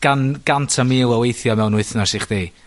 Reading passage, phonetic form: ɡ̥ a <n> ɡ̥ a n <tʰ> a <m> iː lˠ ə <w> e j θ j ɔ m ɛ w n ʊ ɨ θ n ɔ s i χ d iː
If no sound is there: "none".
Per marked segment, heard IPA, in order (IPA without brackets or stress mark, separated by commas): n, tʰ, m, w